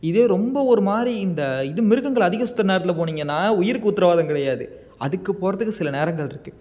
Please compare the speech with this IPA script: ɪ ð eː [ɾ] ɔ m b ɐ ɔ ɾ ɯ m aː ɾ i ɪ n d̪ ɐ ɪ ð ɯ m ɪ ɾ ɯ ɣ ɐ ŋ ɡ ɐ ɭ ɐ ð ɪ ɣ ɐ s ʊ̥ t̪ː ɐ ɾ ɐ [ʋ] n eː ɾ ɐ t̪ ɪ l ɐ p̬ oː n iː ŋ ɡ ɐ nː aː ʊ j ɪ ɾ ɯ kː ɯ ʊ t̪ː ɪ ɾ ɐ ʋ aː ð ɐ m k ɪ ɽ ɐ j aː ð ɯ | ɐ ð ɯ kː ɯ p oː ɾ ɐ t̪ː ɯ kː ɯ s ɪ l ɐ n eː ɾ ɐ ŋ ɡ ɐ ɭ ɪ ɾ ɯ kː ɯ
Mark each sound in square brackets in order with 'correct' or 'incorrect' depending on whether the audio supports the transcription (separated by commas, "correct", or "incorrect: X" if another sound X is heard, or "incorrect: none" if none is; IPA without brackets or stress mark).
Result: correct, incorrect: none